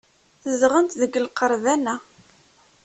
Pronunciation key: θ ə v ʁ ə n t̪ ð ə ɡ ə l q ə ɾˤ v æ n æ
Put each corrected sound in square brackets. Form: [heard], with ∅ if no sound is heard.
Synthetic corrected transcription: θ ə [z] ʁ ə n t̪ ð ə ɡ ə l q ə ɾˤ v æ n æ